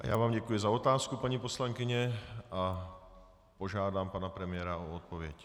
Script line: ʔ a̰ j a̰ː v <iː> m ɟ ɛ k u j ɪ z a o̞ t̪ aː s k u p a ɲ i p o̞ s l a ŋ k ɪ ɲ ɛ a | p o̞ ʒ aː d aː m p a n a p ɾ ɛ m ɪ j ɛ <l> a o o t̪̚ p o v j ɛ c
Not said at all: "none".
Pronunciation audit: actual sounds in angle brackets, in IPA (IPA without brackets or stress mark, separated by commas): aː, ɾ